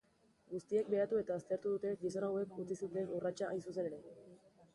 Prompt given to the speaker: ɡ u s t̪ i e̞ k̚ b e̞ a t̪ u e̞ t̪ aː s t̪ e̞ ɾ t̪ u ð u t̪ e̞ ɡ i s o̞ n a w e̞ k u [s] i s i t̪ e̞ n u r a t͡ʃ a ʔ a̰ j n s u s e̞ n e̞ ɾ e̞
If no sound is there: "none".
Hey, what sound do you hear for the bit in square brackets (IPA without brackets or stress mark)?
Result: t͡s